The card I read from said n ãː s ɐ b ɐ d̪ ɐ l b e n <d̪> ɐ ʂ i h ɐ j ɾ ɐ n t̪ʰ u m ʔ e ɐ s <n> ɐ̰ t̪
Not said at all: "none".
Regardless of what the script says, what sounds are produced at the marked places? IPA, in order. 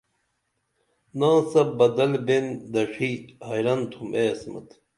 d̪, m

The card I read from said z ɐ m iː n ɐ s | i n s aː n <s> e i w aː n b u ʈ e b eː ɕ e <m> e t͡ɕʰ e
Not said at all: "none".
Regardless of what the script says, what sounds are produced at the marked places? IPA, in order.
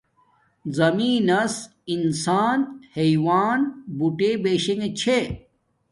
h, ŋ

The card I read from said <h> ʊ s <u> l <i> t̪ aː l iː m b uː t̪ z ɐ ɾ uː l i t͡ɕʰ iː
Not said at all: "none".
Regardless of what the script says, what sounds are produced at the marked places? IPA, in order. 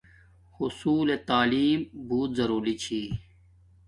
h, uː, e

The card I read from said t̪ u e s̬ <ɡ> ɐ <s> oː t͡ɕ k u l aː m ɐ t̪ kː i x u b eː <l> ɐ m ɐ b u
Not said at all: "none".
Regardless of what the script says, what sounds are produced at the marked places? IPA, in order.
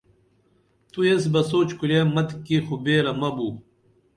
b, s, ɾ

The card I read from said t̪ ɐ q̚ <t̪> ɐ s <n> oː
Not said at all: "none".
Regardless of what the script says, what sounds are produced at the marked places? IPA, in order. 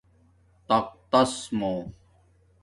t̪, m

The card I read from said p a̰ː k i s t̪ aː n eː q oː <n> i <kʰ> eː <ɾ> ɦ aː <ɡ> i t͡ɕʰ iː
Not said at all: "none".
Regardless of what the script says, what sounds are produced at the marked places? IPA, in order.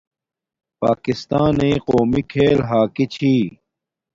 m, kʰ, l, k

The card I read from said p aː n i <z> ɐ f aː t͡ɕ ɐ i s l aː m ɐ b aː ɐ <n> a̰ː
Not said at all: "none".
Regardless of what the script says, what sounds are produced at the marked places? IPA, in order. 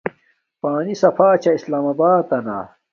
s, n

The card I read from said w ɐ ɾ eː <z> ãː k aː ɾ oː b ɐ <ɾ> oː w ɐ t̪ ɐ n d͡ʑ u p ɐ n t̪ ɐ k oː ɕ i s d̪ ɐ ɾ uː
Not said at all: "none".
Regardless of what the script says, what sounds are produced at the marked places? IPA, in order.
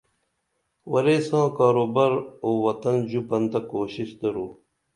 s, ɾ

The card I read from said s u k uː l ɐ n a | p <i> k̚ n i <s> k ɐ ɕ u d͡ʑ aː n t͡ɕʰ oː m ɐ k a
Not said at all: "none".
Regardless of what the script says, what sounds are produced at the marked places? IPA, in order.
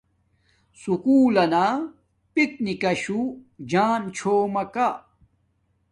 i, none

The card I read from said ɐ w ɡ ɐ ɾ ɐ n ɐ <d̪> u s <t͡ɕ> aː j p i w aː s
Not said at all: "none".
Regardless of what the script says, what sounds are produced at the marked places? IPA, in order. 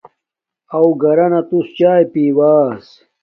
t̪, t͡ɕ

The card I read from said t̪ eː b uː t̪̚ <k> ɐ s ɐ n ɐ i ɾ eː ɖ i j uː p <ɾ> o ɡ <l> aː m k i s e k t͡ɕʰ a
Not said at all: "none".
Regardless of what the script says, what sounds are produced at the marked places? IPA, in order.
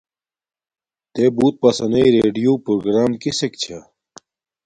p, ɾ, ɾ

